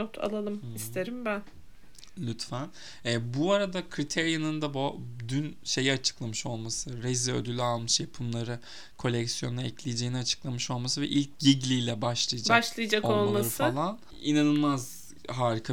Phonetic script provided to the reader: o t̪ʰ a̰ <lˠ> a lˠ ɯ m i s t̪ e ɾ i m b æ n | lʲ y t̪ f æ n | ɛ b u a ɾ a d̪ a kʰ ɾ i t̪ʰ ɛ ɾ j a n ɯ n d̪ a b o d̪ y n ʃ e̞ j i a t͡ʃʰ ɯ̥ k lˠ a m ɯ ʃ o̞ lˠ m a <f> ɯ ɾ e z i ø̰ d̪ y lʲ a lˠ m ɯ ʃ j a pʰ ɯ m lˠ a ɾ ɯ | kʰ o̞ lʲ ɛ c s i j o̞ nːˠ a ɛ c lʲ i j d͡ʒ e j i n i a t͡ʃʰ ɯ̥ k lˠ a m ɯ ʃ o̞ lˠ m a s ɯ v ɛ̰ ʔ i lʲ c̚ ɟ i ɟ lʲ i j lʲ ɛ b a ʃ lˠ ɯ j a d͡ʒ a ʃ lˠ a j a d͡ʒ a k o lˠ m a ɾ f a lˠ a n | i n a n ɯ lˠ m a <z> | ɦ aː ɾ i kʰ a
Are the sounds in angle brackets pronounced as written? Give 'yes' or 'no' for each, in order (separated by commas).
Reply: yes, no, yes